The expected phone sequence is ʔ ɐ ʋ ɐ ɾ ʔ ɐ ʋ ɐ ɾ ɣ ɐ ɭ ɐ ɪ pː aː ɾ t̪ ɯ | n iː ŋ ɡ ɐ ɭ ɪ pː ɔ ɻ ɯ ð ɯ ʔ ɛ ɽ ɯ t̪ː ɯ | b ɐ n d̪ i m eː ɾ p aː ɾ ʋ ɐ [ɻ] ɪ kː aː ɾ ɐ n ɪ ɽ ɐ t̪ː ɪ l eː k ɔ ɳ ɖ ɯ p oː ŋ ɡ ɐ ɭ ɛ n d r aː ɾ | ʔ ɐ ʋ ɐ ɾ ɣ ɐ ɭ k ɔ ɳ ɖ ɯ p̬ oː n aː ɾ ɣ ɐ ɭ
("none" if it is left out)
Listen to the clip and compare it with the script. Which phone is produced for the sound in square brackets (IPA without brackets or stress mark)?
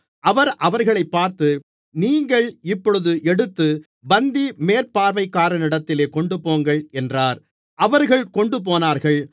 none